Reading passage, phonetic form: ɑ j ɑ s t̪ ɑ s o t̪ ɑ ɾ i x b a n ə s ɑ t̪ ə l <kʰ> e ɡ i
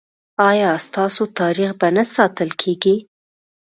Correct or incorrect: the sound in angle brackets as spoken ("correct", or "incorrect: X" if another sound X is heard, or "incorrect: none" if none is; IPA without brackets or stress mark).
correct